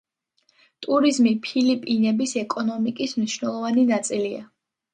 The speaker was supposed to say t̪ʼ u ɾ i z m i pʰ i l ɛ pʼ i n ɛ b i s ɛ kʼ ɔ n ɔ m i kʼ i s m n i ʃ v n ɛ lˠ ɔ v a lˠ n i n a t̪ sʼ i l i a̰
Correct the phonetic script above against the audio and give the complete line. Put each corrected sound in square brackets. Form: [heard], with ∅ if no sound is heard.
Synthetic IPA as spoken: t̪ʼ u ɾ i z m i pʰ i l [i] pʼ i n ɛ b i s ɛ kʼ ɔ n ɔ m i kʼ i s m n i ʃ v n ɛ lˠ ɔ v a [∅] n i n a t̪ sʼ i l i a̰